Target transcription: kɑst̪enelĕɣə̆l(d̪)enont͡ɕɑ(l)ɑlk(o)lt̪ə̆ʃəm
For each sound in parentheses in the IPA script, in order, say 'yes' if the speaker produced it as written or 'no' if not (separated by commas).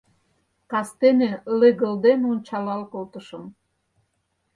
yes, yes, yes